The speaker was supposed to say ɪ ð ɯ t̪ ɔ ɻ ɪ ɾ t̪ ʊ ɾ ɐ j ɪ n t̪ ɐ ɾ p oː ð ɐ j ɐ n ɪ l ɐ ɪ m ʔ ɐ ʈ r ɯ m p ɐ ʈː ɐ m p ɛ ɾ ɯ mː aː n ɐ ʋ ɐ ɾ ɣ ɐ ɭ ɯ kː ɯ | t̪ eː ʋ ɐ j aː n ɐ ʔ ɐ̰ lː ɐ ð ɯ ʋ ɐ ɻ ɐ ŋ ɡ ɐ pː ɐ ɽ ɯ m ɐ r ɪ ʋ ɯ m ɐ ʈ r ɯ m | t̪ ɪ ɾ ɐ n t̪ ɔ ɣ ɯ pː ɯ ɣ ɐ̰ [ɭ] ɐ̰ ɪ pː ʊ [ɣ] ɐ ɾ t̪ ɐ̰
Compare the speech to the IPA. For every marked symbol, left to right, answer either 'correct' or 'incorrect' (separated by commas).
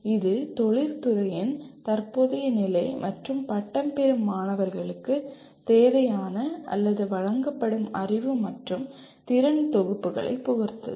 correct, correct